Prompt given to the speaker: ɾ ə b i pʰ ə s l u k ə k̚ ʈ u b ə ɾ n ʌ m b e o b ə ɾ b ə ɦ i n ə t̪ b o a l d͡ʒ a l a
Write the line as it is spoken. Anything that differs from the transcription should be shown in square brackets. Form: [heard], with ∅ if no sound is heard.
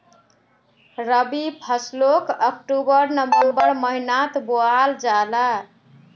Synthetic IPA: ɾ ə b i pʰ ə s l [o] k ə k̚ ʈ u b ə ɾ n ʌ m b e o b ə ɾ [m] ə ɦ i n [a] t̪ b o a l d͡ʒ a l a